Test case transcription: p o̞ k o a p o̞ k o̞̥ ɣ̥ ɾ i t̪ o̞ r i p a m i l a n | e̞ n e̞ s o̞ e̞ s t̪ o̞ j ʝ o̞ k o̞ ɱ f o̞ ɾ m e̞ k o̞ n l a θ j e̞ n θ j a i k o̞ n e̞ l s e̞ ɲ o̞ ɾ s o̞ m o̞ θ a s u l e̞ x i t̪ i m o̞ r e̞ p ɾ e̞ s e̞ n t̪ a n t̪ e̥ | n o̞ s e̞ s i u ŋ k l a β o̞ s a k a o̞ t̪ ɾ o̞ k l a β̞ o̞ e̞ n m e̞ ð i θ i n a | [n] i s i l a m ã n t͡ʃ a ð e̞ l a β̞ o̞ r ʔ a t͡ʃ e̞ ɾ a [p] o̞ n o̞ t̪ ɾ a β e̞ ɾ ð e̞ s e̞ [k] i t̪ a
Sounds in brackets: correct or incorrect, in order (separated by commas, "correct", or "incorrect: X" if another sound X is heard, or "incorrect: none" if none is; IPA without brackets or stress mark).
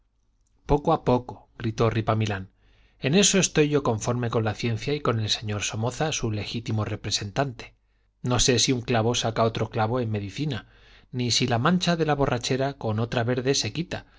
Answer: correct, incorrect: k, correct